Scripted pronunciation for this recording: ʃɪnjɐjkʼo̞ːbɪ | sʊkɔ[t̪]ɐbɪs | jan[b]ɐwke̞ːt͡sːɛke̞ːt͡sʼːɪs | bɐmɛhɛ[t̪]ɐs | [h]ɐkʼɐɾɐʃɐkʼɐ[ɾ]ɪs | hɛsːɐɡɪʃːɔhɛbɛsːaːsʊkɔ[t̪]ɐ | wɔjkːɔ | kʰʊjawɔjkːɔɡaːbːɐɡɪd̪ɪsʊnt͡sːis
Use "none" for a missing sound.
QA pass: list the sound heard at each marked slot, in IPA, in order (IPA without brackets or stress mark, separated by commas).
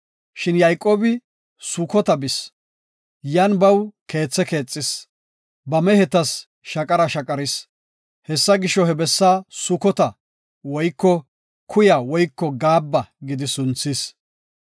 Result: t̪, b, t̪, ʃ, ɾ, t̪